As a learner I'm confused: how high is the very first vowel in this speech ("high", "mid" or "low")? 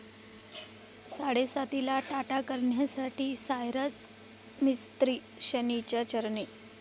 low